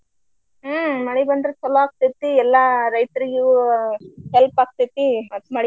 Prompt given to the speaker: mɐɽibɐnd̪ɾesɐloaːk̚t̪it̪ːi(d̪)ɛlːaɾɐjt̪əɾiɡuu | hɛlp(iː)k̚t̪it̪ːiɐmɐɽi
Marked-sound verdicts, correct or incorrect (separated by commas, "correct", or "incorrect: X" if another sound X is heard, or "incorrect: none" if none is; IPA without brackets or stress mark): incorrect: none, incorrect: aː